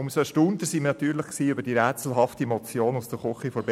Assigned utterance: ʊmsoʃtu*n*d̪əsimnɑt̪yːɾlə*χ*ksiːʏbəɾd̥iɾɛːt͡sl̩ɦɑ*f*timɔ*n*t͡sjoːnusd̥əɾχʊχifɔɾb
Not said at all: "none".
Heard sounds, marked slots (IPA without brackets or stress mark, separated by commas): n, χ, f, none